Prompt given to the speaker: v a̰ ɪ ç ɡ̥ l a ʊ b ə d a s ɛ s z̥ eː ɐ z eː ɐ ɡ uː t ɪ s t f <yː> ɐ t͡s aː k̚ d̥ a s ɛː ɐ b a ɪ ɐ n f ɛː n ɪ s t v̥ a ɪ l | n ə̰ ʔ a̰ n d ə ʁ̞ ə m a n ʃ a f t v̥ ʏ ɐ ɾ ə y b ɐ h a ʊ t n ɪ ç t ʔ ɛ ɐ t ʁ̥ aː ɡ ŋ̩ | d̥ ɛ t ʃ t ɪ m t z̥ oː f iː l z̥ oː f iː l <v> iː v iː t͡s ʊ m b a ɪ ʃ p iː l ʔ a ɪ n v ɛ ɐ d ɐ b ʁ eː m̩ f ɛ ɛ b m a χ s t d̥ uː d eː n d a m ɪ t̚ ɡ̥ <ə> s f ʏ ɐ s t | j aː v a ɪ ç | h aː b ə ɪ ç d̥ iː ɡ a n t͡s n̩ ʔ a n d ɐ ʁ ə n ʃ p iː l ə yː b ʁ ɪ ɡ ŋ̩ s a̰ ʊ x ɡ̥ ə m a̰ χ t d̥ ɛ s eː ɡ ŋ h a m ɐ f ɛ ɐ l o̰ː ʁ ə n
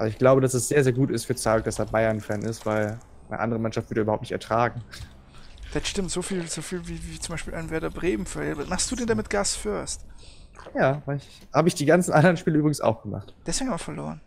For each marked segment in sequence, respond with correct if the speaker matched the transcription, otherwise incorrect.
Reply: correct, correct, incorrect: a

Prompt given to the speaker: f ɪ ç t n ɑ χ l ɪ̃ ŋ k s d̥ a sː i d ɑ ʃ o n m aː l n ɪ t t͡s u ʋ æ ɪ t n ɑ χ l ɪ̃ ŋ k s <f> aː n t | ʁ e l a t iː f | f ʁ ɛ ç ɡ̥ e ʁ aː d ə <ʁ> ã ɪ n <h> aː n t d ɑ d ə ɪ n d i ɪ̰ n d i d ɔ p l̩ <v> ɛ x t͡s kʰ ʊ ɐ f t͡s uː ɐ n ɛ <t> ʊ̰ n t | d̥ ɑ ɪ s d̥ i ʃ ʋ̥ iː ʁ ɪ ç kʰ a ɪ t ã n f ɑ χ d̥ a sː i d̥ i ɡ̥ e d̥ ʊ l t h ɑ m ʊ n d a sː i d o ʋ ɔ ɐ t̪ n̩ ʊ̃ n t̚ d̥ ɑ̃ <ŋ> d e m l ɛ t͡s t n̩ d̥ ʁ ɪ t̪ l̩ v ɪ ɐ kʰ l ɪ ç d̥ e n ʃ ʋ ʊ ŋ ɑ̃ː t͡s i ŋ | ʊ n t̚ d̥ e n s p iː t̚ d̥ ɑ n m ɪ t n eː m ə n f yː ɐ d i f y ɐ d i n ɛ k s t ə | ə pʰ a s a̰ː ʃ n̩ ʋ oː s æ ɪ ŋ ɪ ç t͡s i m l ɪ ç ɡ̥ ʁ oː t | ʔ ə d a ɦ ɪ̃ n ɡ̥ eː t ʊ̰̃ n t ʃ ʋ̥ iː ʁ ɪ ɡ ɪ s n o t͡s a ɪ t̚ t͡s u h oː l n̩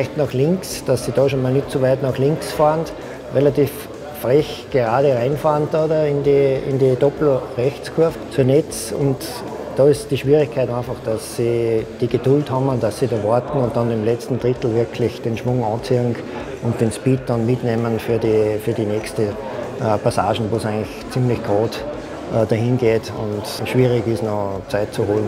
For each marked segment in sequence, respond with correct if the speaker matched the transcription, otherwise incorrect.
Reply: correct, correct, incorrect: f, incorrect: ʁ, incorrect: t͡s, incorrect: n

